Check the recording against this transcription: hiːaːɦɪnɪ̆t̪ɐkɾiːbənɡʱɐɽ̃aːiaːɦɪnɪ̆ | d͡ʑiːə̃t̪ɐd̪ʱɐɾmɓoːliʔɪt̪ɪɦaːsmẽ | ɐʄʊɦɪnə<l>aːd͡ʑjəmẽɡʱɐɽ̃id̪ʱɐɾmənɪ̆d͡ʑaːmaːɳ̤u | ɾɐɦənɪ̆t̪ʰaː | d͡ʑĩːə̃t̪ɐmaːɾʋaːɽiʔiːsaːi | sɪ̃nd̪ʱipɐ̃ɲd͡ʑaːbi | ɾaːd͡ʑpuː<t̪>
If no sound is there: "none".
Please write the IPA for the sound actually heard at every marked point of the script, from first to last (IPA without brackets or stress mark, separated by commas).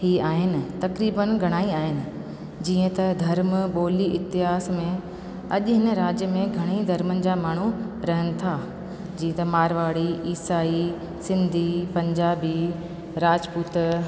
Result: ɾ, t̪